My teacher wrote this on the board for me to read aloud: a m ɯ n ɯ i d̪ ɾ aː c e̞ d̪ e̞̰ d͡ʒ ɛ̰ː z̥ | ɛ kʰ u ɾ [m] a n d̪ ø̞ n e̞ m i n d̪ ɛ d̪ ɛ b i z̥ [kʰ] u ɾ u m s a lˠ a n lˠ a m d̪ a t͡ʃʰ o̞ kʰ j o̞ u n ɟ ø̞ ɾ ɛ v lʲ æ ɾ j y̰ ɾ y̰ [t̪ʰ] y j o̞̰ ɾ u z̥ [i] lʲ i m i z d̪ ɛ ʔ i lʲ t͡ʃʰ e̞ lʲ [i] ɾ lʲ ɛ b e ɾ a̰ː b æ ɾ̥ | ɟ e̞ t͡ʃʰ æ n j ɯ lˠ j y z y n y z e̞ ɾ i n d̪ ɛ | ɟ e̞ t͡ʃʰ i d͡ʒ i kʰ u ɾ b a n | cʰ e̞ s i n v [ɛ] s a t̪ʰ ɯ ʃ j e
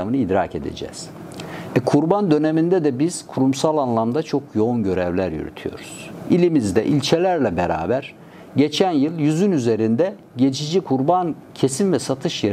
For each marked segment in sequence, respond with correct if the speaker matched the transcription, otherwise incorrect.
incorrect: b, correct, correct, correct, incorrect: æ, correct

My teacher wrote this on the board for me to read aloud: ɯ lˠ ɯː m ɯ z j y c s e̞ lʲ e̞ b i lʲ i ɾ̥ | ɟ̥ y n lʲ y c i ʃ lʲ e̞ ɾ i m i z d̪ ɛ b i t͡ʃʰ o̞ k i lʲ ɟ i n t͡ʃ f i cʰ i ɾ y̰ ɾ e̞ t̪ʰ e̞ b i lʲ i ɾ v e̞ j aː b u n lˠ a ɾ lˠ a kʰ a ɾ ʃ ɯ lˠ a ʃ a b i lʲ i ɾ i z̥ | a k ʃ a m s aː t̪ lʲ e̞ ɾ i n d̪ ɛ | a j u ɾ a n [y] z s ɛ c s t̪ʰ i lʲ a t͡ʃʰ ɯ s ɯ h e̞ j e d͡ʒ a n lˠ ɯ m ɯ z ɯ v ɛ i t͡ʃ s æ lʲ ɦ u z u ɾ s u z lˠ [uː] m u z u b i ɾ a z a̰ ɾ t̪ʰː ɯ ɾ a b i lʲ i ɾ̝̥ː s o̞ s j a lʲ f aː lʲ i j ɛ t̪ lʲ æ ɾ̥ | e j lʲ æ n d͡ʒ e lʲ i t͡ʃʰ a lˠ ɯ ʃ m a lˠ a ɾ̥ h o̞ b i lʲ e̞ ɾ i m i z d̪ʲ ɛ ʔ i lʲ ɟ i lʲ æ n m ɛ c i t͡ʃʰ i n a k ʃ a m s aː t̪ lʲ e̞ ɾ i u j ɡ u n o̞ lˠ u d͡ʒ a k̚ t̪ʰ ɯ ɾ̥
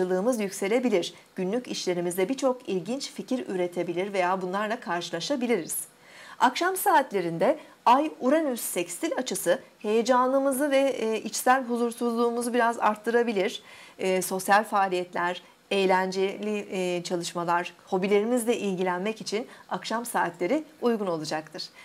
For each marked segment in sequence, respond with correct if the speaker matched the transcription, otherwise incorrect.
correct, correct

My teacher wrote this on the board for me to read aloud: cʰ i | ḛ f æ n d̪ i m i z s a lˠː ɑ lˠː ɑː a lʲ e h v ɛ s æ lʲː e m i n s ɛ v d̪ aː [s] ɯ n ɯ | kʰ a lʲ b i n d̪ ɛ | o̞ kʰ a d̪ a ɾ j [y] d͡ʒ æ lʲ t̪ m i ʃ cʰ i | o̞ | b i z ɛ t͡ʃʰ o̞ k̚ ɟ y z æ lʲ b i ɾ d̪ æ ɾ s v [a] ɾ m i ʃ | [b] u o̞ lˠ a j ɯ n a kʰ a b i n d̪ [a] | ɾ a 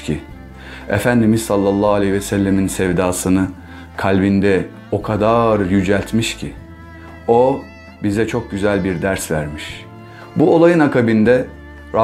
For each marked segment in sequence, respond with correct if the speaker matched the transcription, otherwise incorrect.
correct, correct, incorrect: æ, correct, incorrect: ɛ

